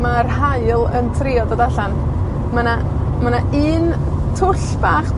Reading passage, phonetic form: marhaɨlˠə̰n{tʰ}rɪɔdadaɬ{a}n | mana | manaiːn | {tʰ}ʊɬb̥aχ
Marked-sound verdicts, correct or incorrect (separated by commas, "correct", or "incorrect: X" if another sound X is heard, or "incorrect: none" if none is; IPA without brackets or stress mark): correct, correct, correct